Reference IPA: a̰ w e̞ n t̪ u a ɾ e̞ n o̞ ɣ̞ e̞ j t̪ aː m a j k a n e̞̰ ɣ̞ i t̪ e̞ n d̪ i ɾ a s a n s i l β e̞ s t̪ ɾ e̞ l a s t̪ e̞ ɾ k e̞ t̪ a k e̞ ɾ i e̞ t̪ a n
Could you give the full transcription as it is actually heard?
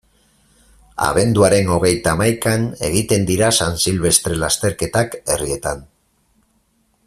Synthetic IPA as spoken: a̰ β e̞ n d̪ u a ɾ e̞ n o̞ ɣ̞ e̞ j t̪ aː m a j k a n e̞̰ ɣ̞ i t̪ e̞ n d̪ i ɾ a s a n s i l β e̞ s t̪ ɾ e̞ l a s t̪ e̞ ɾ k e̞ t̪ a k e̞ r i e̞ t̪ a n